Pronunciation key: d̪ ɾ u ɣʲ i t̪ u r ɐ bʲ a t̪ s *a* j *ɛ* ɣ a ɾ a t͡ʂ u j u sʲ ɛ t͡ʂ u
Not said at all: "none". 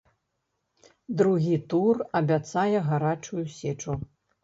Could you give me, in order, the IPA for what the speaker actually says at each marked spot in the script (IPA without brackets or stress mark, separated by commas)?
a, ɛ